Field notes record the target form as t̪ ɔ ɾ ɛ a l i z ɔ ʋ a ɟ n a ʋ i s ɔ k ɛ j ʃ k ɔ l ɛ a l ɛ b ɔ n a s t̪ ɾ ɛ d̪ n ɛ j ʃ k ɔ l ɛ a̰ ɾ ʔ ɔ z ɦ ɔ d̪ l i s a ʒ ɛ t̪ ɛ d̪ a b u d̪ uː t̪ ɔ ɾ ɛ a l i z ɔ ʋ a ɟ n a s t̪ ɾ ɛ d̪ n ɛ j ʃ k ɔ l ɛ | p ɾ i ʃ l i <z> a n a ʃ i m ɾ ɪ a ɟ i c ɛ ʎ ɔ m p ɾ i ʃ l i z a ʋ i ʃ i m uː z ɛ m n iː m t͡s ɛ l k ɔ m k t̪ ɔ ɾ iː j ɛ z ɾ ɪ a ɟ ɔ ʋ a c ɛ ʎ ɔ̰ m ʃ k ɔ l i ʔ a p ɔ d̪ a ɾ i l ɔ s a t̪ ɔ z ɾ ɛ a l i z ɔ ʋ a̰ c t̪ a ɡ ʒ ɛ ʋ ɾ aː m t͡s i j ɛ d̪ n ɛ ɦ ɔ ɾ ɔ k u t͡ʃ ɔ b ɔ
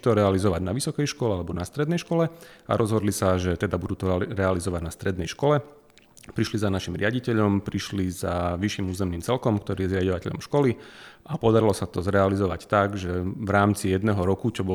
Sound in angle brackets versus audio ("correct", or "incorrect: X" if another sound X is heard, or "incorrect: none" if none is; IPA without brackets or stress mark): correct